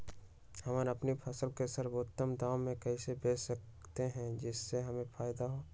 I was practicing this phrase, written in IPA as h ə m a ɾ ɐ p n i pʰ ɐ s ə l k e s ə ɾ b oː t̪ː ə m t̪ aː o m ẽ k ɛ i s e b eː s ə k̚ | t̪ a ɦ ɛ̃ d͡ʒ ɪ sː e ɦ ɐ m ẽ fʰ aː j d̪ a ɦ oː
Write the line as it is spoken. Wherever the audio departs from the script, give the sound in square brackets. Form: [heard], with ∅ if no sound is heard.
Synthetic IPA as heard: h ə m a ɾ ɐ p n i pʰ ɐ s ə l k e s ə ɾ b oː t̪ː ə m [d̪] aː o m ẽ k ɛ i s e b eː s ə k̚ | t̪ [e] ɦ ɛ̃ d͡ʒ ɪ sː e ɦ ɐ m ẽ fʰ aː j d̪ a ɦ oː

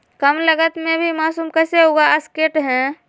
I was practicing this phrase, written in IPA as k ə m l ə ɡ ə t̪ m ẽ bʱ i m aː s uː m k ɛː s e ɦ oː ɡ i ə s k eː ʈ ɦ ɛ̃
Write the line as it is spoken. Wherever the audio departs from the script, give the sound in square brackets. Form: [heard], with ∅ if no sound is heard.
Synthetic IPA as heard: k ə m l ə ɡ ə t̪ m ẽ bʱ i m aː s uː m k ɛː s e ɦ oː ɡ [a] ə s k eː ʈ ɦ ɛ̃

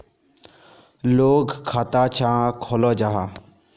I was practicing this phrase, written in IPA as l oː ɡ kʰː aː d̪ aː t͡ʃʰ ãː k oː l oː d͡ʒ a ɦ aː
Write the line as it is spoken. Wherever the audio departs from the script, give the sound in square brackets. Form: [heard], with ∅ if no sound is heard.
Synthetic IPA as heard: l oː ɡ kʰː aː [t̪] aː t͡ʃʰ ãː [kʰ] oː l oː d͡ʒ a ɦ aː

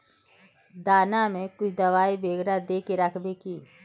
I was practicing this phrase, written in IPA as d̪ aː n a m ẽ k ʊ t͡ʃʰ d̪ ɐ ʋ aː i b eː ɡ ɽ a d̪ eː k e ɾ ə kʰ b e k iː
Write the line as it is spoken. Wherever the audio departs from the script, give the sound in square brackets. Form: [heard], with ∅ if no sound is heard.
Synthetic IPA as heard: d̪ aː n a m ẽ k ʊ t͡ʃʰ d̪ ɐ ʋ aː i b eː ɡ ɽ a d̪ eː k e ɾ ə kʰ b e k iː

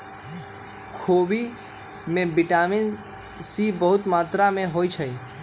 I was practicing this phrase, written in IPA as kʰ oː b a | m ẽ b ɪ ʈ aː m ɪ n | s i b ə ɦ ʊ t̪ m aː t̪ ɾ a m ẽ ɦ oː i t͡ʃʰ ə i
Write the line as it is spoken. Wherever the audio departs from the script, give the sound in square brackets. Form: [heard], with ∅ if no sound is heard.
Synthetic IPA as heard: kʰ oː b [i] | m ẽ b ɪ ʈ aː m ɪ n | s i b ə ɦ ʊ t̪ m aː t̪ ɾ a m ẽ ɦ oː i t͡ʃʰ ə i

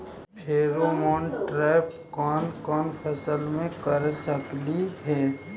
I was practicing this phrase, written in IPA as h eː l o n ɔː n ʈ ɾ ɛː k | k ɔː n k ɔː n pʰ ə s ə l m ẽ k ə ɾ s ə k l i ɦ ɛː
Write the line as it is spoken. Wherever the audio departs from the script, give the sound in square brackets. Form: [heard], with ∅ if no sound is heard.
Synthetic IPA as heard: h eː [ɾ] o [m] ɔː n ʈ ɾ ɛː [p] | k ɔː n k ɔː n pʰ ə s ə l m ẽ k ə ɾ s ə k l i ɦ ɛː

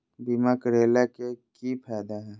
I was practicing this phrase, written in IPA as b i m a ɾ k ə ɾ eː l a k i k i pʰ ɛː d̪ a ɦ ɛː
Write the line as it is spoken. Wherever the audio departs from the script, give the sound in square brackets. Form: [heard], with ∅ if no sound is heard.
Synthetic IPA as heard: b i m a [∅] k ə ɾ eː l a k [e] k i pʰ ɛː d̪ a ɦ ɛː

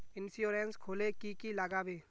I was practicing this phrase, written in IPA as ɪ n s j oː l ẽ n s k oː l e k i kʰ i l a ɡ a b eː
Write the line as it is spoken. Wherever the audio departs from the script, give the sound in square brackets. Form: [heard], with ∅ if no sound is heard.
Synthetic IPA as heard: ɪ n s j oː [ɾ] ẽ n s [kʰ] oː l e k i [k] i l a ɡ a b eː

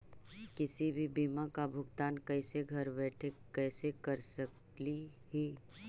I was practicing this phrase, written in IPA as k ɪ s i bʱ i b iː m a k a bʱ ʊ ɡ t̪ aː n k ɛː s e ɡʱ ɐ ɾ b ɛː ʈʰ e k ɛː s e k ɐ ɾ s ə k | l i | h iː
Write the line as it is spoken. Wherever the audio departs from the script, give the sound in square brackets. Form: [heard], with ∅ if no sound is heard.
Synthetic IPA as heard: k ɪ s i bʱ i b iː m a k a bʱ ʊ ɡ t̪ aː n k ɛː s e ɡʱ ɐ ɾ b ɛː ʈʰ e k ɛː s e k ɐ ɾ s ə k | l i | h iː

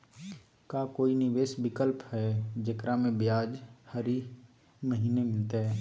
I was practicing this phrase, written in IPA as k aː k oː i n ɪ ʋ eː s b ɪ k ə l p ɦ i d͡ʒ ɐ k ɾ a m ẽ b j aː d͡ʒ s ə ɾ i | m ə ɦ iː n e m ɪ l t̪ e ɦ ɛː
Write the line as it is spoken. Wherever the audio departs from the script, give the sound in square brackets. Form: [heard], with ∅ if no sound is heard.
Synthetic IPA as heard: k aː k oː i n ɪ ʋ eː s b ɪ k ə l p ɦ [ɛ] d͡ʒ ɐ k ɾ a m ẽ b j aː d͡ʒ [h] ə ɾ i | m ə ɦ iː n e m ɪ l t̪ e ɦ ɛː

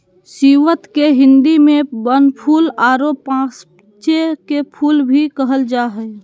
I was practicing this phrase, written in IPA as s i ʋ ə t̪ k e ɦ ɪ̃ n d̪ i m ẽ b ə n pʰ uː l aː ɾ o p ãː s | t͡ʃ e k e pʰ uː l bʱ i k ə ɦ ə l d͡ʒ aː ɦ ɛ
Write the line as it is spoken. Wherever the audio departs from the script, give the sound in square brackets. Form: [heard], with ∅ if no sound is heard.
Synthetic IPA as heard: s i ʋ ə t̪ k e ɦ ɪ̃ n d̪ i m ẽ b ə n pʰ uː l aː ɾ o p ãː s | t͡ʃ e k e pʰ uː l bʱ i k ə ɦ ə l d͡ʒ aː ɦ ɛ

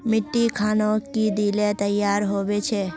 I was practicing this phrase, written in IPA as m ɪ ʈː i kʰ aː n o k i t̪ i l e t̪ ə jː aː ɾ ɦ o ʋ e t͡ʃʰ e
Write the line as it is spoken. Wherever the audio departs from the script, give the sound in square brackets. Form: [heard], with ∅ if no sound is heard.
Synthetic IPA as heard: m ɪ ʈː i kʰ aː n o k i [d̪] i l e t̪ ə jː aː ɾ ɦ o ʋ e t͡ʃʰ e

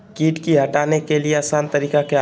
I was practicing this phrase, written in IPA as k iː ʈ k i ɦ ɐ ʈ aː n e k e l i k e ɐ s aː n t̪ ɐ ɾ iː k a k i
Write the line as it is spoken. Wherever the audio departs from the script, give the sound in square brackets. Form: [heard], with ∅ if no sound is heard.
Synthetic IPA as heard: k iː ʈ k i ɦ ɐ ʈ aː n e k e l i [∅] e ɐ s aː n t̪ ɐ ɾ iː k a k [e]

